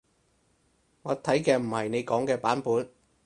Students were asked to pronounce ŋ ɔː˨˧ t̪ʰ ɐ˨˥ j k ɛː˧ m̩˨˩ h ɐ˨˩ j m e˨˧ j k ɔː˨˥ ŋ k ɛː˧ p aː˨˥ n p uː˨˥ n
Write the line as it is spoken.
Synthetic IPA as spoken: ŋ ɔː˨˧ t̪ʰ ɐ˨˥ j k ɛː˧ m̩˨˩ h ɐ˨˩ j n e˨˧ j k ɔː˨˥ ŋ k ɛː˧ p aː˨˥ n p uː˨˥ n